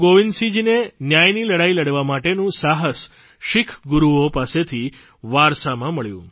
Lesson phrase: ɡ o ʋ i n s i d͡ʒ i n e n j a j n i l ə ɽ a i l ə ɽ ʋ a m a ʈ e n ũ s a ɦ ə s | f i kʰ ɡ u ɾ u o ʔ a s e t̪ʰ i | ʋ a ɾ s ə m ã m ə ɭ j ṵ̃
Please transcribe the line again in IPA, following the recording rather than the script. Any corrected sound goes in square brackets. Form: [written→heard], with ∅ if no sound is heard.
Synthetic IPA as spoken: ɡ o ʋ i n s i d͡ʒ i n e n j a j n i l ə ɽ a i l ə ɽ ʋ a m a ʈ e n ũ s a ɦ ə s | [f→ʃ] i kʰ ɡ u ɾ u o [ʔ→p] a s e t̪ʰ i | ʋ a ɾ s [ə→a] m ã m ə ɭ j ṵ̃

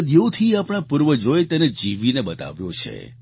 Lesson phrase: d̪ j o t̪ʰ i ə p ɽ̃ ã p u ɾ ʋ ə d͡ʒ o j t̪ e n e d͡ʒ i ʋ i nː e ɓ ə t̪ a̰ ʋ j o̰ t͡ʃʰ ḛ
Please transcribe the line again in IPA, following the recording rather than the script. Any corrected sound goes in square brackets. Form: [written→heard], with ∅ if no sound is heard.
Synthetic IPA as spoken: d̪ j o t̪ʰ i [ə→a] p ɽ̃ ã p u ɾ ʋ ə d͡ʒ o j t̪ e n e d͡ʒ i ʋ i [nː→n] e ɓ ə t̪ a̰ ʋ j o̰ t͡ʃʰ ḛ

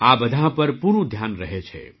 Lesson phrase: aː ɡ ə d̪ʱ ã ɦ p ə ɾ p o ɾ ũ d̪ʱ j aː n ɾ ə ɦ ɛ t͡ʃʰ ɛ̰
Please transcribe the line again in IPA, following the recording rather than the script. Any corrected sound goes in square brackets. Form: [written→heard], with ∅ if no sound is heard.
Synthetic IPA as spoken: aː [ɡ→b] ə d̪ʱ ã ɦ p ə ɾ p [o→u] ɾ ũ d̪ʱ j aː n ɾ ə ɦ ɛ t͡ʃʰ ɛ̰

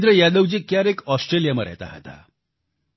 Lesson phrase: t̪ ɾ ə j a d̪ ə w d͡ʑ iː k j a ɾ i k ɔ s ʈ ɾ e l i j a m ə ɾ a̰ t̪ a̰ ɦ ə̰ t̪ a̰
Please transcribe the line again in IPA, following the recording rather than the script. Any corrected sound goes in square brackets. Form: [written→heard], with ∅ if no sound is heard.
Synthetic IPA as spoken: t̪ ɾ ə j a d̪ ə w d͡ʑ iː k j a ɾ [i→e] k ɔ s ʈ ɾ e l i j a m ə ɾ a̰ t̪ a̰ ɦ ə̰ t̪ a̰

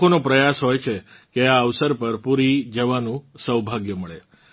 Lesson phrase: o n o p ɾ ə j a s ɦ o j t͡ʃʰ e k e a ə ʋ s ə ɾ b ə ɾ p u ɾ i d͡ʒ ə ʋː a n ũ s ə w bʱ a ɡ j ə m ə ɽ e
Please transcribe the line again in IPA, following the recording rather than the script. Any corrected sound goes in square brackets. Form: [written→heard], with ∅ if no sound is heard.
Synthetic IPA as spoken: o n o p ɾ ə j a s ɦ o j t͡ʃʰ e k e a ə ʋ s ə ɾ [b→p] ə ɾ p u ɾ i d͡ʒ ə [ʋː→ʋ] a n ũ s ə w bʱ a ɡ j ə m ə [ɽ→ɭ] e

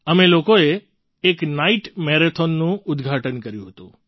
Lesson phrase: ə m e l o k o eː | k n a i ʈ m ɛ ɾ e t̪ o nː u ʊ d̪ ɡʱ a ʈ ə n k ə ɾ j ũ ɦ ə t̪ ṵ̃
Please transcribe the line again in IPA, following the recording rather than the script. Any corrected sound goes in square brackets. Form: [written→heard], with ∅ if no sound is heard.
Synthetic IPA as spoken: ə m e l o k o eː | k n a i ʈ m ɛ ɾ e [t̪→t̪ʰ] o nː [u→ũ] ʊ d̪ ɡʱ a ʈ ə n k ə ɾ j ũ ɦ ə t̪ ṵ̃

